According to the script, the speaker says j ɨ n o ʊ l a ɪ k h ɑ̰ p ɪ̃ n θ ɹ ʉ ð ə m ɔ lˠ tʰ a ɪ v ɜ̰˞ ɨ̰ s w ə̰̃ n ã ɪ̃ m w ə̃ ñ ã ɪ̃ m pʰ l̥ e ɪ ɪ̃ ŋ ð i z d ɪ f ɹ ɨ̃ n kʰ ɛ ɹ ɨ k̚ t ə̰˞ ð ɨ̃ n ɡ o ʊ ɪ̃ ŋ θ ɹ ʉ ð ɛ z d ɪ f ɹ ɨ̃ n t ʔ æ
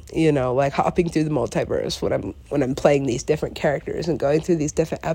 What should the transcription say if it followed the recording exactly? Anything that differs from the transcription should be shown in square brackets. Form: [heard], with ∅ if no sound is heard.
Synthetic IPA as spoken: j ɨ n o ʊ l a ɪ k h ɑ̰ p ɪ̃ [ŋ] θ ɹ ʉ ð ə m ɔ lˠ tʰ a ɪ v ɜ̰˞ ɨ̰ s w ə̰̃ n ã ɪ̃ m w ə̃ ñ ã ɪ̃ m pʰ l̥ e ɪ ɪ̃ ŋ ð i z d ɪ f ɹ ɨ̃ n kʰ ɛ ɹ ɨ k̚ t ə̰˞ [z] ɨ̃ n ɡ o ʊ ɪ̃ ŋ θ ɹ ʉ ð [i] z d ɪ f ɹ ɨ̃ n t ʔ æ